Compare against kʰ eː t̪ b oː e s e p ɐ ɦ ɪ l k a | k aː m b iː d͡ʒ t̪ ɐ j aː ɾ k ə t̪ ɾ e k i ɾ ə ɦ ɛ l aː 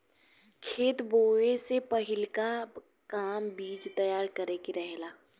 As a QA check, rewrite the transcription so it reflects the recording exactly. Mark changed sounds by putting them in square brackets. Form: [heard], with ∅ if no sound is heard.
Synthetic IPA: kʰ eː t̪ b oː e s e p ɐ ɦ ɪ l k a | k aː m b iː d͡ʒ t̪ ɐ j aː ɾ k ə [∅] ɾ e k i ɾ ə ɦ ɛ l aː